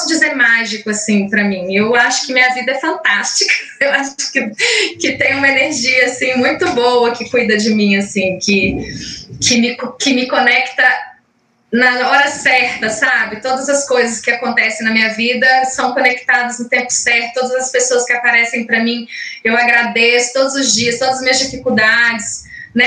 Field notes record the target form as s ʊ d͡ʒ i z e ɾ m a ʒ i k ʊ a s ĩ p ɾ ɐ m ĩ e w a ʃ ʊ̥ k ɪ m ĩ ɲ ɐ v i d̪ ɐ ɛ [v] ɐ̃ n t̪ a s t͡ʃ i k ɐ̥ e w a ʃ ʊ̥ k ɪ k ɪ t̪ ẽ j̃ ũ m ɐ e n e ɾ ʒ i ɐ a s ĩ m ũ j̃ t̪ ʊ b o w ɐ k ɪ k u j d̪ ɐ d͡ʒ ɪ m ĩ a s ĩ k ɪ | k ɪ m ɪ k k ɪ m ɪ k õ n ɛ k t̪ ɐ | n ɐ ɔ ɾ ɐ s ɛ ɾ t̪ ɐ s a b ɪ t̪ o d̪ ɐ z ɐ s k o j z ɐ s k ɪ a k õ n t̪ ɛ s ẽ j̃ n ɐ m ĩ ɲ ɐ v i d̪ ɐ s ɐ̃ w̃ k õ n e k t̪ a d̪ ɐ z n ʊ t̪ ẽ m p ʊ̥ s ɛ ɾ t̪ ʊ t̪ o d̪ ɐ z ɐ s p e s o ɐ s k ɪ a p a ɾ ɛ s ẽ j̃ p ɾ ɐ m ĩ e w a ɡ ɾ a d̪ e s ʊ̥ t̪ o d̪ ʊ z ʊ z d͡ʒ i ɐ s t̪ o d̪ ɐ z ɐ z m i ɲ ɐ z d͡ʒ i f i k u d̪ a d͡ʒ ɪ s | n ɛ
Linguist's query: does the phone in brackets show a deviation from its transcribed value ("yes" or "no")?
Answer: yes